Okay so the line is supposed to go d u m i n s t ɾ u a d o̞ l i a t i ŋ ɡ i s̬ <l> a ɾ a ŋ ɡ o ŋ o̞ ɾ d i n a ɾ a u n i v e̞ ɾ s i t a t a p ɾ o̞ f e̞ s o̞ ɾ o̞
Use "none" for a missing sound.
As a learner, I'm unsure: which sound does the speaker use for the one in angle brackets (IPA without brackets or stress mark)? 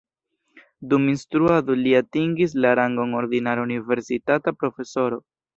l